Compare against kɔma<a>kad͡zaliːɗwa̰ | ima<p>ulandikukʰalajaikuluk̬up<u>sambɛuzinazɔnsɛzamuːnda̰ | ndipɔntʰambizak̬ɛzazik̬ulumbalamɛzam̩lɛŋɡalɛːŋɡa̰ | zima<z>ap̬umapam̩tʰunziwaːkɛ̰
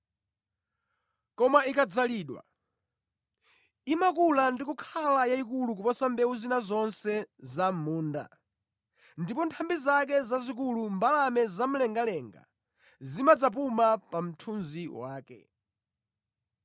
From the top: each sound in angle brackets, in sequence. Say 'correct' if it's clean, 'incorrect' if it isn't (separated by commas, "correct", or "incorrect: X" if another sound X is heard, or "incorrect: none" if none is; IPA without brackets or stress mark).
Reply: incorrect: i, incorrect: k, incorrect: ɔ, incorrect: d͡z